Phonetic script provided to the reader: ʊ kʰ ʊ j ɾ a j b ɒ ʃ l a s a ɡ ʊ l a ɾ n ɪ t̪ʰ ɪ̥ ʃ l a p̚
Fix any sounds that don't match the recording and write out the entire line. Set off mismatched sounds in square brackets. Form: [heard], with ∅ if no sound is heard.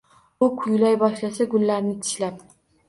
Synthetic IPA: ʊ kʰ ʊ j [l] a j b ɒ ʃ l a s a ɡ ʊ [lː] a ɾ n ɪ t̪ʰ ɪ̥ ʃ l a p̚

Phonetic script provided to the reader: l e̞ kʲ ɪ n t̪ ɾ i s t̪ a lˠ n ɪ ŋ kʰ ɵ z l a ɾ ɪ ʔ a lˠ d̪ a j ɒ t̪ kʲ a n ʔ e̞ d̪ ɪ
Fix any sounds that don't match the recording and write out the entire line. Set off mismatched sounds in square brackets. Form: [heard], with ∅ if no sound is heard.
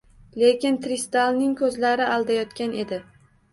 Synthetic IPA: l e̞ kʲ ɪ n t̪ ɾ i s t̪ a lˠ n ɪ ŋ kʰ ɵ z l a ɾ ɪ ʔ a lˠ d̪ a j ɒ t̪ kʲ a n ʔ e̞ d̪ ɪ

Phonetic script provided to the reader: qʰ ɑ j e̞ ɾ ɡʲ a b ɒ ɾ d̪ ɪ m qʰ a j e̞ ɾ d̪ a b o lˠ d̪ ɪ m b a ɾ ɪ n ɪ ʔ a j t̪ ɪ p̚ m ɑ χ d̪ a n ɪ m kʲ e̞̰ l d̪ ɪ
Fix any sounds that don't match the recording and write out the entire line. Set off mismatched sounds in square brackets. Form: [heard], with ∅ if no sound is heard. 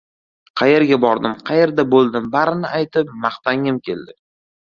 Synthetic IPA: qʰ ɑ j e̞ ɾ ɡʲ a b ɒ ɾ d̪ ɪ m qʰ [ɑ] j e̞ ɾ d̪ a b o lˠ d̪ ɪ m b a ɾ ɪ n ɪ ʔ a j t̪ ɪ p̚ m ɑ χ [t̪] a [ŋ] ɪ m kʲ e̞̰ l d̪ ɪ

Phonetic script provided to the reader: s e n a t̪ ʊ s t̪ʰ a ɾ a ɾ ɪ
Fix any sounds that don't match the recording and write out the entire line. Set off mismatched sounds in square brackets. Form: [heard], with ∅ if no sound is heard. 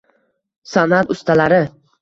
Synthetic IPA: s [a] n a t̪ ʊ s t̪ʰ a [l] a ɾ ɪ

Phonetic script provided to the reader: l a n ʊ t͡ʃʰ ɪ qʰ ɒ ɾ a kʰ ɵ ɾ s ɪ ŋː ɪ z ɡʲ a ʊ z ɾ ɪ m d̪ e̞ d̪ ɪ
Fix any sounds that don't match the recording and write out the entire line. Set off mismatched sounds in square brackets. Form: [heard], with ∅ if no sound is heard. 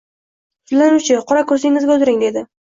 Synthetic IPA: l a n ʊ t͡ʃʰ ɪ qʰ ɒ ɾ a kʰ ɵ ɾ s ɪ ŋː ɪ z ɡʲ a ʊ z ɾ ɪ [ŋ] d̪ e̞ d̪ ɪ

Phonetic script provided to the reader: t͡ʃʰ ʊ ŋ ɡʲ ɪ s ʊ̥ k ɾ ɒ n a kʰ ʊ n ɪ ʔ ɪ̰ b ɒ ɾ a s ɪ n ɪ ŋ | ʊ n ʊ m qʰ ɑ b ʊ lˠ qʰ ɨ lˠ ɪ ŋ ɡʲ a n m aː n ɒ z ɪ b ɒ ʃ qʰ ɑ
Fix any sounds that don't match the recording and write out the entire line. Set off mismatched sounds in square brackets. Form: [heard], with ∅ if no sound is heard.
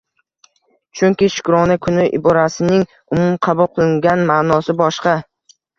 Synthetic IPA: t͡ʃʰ ʊ ŋ [kʲ] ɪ [ʃ] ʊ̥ k ɾ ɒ n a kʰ ʊ n ɪ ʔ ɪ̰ b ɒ ɾ a s ɪ n ɪ ŋ | ʊ [m] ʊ m qʰ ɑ b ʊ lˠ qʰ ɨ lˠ ɪ ŋ ɡʲ a n m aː n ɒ [s] ɪ b ɒ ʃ [q] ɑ

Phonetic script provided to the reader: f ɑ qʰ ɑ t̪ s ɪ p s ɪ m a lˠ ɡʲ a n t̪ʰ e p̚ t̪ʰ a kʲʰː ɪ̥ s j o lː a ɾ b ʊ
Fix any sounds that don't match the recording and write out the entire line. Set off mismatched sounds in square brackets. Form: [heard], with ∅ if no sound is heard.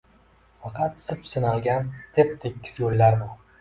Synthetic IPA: f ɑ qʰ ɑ t̪ s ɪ p s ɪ [n] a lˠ ɡʲ a n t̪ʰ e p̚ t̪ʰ [e] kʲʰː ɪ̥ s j o lː a ɾ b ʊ

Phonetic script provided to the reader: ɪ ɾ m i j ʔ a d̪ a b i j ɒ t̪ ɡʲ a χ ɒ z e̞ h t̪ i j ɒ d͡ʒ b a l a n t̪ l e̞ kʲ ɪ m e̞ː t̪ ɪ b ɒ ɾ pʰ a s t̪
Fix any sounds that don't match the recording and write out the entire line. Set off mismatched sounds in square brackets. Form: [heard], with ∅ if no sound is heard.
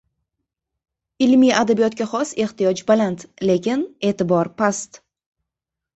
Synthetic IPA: ɪ [l] m i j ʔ a d̪ a b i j ɒ t̪ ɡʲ a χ ɒ [s] e̞ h t̪ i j ɒ d͡ʒ b a l a n t̪ l e̞ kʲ ɪ [n] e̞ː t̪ ɪ b ɒ ɾ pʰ a s t̪

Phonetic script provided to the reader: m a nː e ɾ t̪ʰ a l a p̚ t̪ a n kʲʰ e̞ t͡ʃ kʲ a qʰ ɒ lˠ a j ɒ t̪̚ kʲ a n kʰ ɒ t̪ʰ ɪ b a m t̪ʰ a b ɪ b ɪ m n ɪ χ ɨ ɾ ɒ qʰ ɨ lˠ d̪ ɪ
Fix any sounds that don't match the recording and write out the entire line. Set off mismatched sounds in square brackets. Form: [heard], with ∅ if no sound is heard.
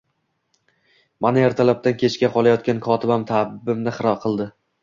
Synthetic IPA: m a [n] e ɾ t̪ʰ a l a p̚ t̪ a n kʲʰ e̞ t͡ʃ kʲ a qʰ ɒ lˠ a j ɒ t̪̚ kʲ a n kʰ ɒ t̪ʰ ɪ b a m t̪ʰ a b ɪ b ɪ m n ɪ χ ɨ ɾ ɒ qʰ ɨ lˠ d̪ ɪ

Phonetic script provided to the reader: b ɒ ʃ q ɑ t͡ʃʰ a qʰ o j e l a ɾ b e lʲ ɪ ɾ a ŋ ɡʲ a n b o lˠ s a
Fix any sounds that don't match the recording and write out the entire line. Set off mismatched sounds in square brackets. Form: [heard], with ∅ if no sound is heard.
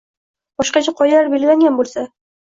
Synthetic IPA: b ɒ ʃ q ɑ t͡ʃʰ a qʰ [ɒ] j [a] l a ɾ b e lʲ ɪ [l] a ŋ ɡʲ a n b o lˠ s a

